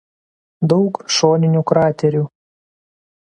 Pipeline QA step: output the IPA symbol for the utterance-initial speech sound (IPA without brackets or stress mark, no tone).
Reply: d̪